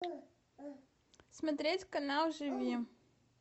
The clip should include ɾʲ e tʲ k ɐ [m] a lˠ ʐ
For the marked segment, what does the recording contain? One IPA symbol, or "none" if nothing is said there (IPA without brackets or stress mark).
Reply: n